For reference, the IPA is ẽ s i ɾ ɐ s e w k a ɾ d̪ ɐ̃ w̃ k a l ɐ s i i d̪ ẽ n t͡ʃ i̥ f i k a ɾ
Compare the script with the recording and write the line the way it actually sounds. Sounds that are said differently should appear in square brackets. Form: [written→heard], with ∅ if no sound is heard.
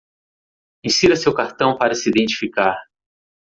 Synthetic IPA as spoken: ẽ s i ɾ ɐ s e w k a ɾ [d̪→t̪] ɐ̃ w̃ [k→p] a [l→ɾ] ɐ s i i d̪ ẽ n t͡ʃ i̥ f i k a ɾ